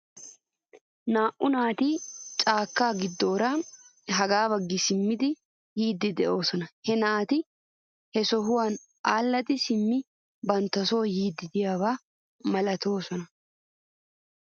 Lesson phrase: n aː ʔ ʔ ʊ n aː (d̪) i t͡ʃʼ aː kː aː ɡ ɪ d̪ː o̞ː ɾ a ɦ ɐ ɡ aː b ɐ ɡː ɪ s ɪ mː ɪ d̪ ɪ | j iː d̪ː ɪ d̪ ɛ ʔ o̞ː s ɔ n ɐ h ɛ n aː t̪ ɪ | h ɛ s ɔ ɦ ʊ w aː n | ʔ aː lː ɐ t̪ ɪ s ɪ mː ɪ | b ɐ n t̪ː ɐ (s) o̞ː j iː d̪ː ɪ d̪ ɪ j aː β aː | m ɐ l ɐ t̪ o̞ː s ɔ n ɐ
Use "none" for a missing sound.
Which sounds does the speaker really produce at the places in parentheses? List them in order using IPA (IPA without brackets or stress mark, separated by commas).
t̪, s